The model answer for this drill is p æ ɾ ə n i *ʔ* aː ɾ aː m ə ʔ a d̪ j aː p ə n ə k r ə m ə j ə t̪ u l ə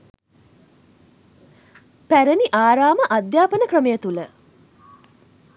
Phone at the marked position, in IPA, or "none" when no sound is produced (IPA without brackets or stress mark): ʔ